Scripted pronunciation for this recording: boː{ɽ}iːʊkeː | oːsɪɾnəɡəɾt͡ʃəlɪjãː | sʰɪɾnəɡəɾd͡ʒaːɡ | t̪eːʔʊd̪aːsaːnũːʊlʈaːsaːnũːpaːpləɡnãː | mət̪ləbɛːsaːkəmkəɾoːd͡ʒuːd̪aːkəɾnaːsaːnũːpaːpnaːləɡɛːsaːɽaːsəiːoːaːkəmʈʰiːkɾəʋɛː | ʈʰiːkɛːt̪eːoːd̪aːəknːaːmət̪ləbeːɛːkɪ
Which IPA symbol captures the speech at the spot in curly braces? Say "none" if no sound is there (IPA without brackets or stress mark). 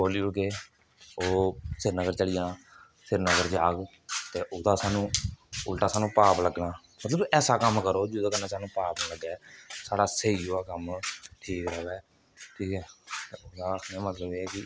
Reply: l